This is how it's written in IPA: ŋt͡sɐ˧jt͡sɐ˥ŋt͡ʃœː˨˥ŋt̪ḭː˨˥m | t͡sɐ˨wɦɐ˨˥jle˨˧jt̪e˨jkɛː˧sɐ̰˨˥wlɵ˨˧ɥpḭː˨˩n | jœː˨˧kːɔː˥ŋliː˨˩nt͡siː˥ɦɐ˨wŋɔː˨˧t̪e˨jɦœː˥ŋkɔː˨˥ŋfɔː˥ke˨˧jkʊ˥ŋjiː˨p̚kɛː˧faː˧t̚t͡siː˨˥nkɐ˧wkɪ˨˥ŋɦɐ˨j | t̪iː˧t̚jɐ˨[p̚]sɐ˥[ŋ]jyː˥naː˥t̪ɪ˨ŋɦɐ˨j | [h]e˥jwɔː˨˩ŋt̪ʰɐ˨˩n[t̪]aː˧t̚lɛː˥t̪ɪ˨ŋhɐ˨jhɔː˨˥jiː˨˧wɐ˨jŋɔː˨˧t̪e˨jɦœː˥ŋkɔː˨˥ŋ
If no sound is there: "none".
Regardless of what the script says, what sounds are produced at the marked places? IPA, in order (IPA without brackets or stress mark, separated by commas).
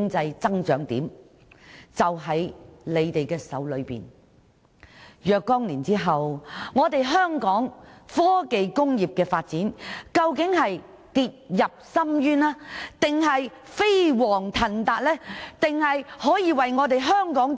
p̚, m, f, t̪